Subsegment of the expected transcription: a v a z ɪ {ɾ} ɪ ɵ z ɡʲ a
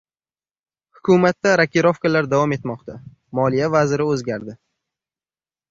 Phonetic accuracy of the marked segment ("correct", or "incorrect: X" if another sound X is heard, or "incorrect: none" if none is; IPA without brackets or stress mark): correct